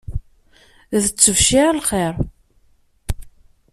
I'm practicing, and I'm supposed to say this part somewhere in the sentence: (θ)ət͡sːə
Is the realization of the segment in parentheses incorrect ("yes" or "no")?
yes